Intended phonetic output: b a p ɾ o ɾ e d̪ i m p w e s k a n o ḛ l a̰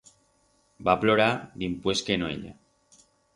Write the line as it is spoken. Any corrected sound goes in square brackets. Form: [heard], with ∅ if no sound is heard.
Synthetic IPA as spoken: b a p [l] o ɾ [a] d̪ i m p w e s k [e] n o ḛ [ʎ] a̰